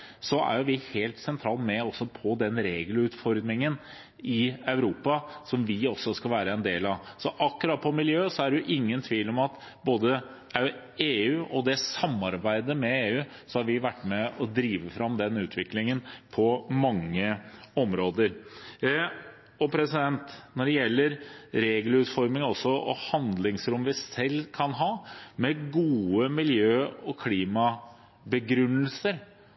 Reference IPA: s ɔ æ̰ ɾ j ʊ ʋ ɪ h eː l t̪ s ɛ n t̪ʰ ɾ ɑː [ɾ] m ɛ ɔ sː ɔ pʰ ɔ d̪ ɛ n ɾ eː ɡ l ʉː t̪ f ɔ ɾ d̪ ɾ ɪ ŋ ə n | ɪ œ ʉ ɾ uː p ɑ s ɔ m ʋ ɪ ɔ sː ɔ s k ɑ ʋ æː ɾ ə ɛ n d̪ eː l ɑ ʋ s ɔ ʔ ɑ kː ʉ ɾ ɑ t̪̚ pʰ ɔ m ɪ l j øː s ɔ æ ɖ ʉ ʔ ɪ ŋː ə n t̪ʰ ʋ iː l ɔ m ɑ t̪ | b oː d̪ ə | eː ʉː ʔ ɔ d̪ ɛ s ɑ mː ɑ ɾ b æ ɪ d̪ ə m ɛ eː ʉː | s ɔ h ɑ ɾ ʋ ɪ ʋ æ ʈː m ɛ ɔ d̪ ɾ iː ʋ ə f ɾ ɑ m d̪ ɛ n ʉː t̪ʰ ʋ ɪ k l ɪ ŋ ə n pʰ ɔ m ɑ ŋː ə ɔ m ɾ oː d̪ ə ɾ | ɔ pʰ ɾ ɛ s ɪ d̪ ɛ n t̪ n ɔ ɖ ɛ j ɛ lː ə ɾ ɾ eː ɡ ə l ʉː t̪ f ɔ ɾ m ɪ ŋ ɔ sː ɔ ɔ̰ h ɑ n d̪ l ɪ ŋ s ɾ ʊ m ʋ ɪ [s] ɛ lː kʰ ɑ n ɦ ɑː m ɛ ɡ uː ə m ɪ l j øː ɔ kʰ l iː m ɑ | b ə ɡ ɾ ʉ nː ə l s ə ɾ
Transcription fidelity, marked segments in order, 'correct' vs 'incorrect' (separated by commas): incorrect, correct